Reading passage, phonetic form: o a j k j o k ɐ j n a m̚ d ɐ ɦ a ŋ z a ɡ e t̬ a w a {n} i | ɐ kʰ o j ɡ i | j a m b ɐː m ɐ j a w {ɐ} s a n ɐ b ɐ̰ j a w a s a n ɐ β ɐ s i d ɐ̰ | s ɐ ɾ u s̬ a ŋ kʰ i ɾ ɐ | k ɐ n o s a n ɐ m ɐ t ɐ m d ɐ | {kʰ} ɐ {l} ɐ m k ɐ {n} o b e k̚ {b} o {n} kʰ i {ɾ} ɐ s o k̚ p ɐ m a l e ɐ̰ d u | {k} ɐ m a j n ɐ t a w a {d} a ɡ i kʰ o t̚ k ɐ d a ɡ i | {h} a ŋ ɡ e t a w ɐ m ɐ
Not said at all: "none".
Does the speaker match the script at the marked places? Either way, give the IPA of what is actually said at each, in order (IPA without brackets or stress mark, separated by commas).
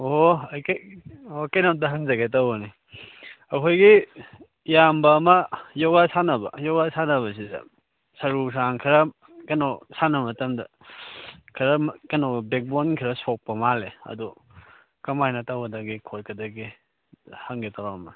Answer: n, a, kʰ, ɾ, n, b, n, ɾ, k, d, h